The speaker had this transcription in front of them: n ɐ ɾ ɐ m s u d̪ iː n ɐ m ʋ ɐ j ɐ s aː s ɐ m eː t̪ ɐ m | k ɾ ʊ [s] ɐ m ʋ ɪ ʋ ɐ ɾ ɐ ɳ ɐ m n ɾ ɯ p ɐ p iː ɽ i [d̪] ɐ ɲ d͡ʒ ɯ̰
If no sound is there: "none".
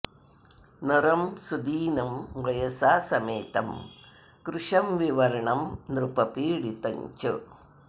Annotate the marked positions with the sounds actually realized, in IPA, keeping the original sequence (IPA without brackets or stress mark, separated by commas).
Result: ʂ, t̪